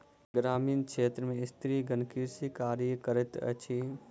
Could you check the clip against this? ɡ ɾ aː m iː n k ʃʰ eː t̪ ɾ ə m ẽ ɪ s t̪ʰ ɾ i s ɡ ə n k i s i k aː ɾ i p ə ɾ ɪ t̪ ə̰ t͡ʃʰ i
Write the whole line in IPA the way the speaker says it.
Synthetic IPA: ɡ ɾ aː m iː n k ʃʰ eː t̪ ɾ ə m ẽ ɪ s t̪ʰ ɾ i ɡ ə n k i s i k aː ɾ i k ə ɾ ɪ t̪ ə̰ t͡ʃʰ i

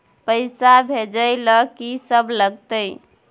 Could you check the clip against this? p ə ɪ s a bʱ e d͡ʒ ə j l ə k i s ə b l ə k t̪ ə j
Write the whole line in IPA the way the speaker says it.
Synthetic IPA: p ə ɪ s a bʱ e d͡ʒ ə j l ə k i s ə b l ə ɡ t̪ ə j

